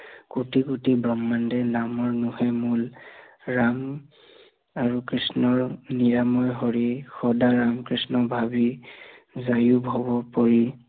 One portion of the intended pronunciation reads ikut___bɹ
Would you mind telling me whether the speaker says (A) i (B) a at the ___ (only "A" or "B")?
A